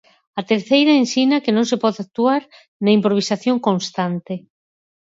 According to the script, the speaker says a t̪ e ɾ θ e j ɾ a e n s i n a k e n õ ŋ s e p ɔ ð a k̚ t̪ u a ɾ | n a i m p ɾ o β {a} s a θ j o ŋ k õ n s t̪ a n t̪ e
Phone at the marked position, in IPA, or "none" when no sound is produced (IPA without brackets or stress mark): i